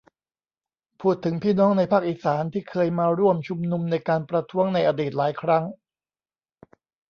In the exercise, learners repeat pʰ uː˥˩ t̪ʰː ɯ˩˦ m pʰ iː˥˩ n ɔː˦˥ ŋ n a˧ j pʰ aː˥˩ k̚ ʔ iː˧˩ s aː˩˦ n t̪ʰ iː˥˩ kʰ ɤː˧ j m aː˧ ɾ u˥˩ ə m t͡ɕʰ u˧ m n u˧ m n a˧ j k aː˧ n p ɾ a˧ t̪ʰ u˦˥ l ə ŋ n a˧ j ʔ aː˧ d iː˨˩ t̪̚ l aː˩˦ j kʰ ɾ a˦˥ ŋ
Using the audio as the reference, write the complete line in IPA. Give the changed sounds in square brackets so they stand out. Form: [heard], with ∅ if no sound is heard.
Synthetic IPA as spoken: pʰ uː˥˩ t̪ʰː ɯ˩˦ [ŋ] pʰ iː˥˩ n ɔː˦˥ ŋ n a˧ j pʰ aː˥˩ k̚ ʔ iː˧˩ s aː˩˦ n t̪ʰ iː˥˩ kʰ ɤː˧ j m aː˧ ɾ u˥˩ ə m t͡ɕʰ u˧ m n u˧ m n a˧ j k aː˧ n p ɾ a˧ t̪ʰ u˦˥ [∅] ə ŋ n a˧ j ʔ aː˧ d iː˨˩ t̪̚ l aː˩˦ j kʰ ɾ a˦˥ ŋ